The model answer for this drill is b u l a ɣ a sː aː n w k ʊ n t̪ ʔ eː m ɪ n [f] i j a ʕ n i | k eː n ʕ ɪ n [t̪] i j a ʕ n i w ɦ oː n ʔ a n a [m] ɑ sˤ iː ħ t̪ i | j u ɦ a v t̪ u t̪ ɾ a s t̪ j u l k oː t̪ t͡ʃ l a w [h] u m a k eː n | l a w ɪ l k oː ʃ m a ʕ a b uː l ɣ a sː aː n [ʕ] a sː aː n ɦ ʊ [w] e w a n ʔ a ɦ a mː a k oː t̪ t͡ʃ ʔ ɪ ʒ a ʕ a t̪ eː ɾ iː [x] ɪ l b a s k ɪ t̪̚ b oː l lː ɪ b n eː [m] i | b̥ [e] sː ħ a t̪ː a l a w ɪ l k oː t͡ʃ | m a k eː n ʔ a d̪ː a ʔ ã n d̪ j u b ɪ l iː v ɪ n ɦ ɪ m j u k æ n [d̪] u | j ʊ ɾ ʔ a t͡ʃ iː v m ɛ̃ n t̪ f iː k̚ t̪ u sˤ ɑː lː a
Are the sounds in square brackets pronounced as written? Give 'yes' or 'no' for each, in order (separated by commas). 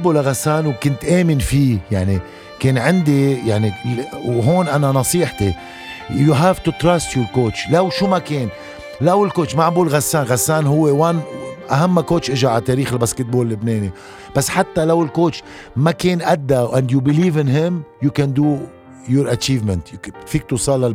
yes, no, no, no, no, no, yes, no, no, yes